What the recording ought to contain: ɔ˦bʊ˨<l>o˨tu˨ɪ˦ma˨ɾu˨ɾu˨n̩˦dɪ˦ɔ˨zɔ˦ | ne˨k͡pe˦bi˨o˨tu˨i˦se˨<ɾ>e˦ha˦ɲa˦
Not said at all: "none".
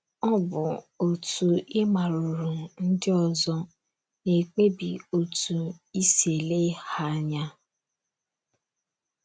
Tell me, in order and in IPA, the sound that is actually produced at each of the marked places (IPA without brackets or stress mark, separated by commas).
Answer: none, l